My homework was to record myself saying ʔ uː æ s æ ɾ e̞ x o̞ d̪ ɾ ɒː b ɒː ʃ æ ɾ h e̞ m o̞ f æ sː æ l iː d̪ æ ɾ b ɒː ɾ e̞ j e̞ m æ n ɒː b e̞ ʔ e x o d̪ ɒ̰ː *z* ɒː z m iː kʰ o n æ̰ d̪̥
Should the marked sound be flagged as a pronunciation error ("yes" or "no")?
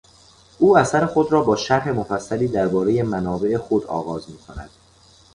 yes